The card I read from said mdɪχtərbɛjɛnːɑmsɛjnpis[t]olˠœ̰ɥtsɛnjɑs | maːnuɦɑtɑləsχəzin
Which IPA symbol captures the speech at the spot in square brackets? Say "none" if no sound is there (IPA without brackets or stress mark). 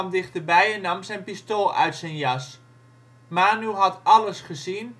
t